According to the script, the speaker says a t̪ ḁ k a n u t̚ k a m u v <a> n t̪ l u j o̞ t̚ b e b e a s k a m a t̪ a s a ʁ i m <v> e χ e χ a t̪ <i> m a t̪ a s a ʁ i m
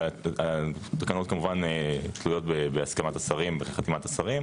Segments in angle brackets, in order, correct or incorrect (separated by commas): correct, incorrect, correct